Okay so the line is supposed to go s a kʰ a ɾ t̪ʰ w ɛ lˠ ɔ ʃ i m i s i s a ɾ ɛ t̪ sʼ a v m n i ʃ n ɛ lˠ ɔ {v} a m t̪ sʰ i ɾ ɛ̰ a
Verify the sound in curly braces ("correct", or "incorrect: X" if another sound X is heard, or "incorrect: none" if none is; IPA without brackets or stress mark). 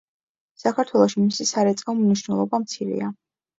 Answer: incorrect: b